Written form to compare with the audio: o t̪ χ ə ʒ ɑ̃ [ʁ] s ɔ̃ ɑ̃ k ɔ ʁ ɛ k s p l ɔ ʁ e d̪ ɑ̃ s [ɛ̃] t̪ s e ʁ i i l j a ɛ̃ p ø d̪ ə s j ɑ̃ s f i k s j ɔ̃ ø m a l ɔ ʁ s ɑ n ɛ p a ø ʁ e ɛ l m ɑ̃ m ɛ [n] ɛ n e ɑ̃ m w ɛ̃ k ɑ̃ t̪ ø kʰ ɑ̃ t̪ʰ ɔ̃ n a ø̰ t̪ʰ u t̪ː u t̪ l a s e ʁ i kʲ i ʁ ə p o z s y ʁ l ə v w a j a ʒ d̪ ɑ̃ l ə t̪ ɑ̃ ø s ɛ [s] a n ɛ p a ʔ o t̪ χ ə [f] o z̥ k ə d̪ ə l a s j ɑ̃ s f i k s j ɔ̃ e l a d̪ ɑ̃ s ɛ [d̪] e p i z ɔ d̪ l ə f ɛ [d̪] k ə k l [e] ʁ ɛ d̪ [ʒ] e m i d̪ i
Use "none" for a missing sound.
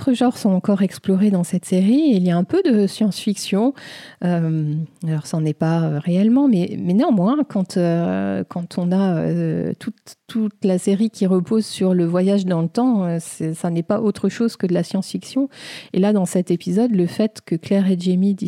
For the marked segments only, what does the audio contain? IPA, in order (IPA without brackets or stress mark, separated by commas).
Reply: ʁ, ɛ, m, s, ʃ, t̪, t̪, ɛ, ʒ